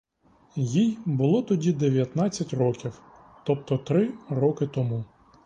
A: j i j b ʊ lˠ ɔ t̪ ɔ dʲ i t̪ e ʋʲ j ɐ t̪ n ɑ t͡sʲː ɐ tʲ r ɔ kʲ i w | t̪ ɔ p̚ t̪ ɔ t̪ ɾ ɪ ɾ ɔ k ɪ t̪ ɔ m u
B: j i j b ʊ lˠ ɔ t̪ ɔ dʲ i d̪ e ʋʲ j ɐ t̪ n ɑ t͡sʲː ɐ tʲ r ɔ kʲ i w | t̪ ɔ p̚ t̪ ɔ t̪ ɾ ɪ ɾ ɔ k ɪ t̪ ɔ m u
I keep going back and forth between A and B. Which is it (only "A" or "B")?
B